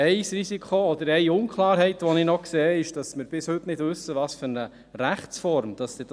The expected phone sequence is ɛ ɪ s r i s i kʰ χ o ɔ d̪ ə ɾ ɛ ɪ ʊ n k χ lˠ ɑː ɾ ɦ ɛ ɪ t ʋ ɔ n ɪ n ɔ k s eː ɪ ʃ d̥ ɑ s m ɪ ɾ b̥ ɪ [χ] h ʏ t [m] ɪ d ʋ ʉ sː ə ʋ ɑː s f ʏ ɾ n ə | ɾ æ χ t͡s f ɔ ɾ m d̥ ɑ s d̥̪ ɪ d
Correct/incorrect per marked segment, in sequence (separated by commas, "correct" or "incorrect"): incorrect, incorrect